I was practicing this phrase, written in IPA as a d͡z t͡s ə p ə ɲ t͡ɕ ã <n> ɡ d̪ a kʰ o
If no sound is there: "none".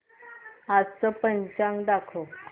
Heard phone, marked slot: ŋ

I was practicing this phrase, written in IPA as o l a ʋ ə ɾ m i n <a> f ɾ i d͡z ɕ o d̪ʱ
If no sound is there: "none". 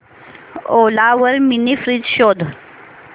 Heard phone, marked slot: i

